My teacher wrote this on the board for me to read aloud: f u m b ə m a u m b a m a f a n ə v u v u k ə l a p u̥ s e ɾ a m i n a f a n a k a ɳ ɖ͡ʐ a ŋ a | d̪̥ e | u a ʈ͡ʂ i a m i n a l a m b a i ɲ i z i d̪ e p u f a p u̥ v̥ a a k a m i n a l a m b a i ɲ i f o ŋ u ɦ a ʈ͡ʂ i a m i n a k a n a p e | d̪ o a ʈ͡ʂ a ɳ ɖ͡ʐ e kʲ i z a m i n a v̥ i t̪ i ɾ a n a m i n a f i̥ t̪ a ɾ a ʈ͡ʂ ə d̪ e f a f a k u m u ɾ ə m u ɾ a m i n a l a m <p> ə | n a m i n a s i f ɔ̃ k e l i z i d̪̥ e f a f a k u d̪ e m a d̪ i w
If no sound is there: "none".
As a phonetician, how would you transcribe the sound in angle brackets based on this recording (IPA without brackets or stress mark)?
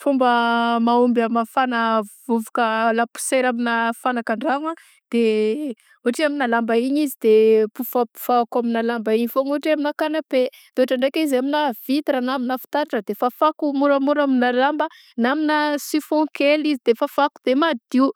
b